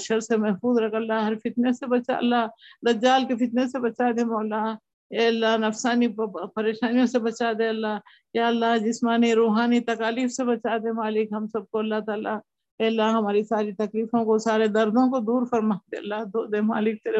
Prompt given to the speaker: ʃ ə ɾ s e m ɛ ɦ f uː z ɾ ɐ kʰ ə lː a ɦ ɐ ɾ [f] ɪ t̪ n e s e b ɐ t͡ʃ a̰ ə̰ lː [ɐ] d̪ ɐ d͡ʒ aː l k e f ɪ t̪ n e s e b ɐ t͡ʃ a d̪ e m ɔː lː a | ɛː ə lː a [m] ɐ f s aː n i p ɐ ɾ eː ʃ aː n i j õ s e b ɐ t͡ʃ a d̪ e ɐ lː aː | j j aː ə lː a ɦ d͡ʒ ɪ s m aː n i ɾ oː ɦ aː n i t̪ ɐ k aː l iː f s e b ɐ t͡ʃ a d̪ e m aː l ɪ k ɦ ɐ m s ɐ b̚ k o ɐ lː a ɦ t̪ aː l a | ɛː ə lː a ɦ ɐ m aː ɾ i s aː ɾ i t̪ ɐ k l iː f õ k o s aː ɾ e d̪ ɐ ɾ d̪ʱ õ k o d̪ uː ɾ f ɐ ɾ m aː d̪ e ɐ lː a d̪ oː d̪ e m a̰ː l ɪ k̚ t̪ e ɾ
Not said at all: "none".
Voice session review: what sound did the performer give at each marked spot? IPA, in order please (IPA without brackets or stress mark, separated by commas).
f, a, n